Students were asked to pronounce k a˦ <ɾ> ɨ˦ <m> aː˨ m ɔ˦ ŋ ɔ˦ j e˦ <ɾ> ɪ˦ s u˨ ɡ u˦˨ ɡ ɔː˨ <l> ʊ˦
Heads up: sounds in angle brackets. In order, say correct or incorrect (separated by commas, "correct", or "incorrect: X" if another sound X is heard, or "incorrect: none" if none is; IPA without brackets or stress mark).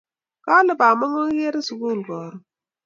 incorrect: l, incorrect: b, correct, incorrect: ɾ